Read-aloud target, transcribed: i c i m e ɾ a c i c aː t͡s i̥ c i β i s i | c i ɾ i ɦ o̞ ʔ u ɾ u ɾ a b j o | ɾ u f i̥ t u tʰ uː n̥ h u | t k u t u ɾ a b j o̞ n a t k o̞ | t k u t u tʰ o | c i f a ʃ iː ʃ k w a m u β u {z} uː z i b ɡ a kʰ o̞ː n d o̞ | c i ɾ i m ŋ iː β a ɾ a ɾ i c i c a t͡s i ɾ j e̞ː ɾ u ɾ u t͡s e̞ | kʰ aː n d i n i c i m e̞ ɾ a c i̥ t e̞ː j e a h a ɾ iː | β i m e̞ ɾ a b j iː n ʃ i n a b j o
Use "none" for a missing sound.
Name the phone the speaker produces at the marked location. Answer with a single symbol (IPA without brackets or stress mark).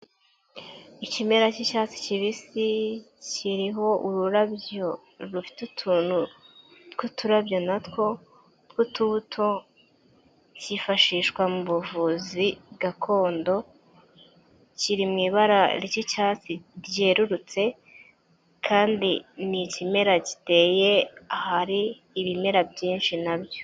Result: v